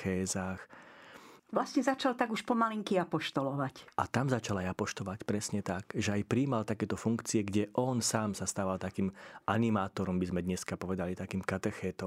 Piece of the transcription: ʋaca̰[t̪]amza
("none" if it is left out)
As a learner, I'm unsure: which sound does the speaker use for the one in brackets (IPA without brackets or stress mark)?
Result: t̪